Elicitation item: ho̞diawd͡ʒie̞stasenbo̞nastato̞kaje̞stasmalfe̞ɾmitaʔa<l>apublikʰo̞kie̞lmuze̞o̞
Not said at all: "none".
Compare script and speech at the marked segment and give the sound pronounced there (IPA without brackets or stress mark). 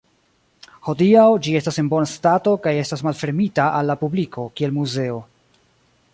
lː